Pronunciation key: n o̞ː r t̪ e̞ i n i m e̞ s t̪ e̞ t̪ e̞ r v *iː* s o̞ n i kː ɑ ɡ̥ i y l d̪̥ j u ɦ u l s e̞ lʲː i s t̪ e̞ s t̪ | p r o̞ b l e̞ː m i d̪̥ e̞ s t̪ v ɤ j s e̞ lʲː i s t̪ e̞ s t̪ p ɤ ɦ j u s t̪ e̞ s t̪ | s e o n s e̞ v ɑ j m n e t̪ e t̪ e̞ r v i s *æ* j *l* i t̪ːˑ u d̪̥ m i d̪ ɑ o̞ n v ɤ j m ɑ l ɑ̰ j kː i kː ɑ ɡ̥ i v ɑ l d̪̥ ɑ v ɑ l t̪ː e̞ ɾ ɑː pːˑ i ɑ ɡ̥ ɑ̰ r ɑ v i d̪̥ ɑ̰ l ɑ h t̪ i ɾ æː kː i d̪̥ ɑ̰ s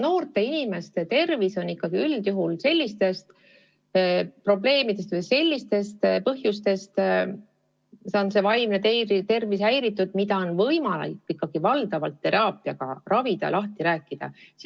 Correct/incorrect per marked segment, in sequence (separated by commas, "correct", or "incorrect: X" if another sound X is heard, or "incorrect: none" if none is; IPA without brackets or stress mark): incorrect: i, correct, incorrect: ɾ